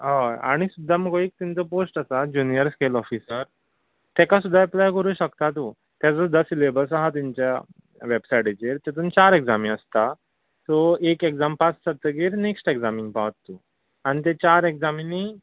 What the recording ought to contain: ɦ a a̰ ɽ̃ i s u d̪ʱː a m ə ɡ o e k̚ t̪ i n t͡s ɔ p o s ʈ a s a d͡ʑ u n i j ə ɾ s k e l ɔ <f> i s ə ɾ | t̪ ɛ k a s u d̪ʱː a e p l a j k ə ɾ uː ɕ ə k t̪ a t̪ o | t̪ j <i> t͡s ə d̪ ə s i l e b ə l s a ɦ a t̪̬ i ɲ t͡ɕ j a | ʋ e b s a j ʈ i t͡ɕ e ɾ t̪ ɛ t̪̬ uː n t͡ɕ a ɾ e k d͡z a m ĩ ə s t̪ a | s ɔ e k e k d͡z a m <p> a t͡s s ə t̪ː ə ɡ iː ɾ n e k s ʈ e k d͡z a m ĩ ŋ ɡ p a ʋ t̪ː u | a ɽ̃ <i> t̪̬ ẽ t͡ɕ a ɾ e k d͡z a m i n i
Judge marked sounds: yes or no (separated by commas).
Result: yes, no, yes, yes